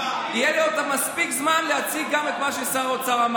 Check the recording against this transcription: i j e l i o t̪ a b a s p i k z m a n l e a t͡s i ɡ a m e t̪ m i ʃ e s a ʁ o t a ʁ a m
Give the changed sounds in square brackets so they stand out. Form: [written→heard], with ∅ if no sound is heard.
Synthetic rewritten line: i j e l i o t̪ a [b→m] a s p i k z m a n l e a t͡s i ɡ a m e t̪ m [i→a] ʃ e s a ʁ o [t→t͡s] a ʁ a m